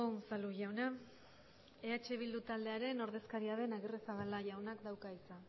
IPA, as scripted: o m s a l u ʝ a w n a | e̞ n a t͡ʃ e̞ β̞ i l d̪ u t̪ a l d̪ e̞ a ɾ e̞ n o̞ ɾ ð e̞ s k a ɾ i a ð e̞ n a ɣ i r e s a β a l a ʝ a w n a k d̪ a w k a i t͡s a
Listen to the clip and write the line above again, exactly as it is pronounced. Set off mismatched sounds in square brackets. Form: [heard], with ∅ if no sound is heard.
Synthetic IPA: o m s a l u ʝ a w n a | e̞ [∅] a t͡ʃ e̞ β̞ i l d̪ u t̪ a l d̪ e̞ a ɾ e̞ n o̞ ɾ ð e̞ s k a ɾ i a ð e̞ n a ɣ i r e s a β a l a ʝ a w n a k d̪ a w k a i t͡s a